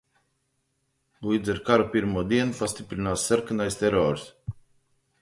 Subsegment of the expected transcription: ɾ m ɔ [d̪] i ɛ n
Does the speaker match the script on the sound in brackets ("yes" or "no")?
yes